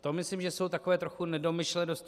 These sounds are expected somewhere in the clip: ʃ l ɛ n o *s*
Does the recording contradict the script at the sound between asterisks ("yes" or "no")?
no